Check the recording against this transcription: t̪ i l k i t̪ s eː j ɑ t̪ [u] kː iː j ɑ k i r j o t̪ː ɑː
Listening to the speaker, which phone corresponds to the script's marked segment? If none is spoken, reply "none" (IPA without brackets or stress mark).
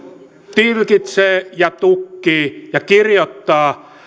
u